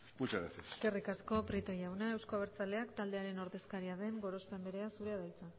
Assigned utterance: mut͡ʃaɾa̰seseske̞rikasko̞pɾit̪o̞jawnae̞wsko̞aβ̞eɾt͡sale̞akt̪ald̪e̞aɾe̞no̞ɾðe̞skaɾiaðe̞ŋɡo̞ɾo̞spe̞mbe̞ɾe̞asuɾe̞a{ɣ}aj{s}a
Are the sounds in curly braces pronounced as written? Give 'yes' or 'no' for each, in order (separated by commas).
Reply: no, no